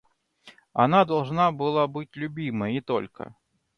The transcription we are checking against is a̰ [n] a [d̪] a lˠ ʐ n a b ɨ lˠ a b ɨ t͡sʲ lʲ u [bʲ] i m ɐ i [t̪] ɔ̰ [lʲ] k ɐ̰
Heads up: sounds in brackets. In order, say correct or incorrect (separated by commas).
correct, correct, correct, correct, correct